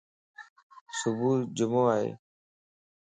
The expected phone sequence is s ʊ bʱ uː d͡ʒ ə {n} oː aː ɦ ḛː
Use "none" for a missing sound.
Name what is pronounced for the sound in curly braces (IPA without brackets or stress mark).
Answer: m